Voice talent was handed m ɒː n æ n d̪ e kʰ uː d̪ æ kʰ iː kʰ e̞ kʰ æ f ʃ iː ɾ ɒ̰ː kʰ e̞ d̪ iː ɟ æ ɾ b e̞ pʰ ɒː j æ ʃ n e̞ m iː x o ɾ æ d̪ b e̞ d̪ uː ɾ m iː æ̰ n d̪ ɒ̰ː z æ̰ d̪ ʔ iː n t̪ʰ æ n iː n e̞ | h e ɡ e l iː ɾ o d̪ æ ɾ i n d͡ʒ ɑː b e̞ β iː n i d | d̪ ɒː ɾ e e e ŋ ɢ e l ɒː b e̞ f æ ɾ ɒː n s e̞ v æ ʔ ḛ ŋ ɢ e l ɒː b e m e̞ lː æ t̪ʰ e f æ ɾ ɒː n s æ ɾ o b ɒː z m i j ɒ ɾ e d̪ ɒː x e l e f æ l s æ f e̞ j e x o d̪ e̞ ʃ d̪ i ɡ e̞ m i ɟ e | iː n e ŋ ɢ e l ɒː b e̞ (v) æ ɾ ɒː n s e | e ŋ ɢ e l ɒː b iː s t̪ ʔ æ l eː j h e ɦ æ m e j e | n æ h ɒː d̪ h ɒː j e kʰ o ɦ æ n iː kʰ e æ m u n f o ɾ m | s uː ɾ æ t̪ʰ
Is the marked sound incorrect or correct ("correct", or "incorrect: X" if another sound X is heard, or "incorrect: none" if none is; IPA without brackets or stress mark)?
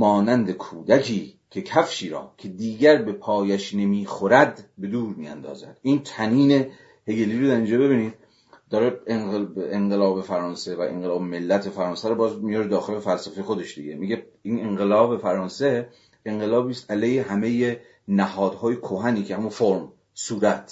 incorrect: f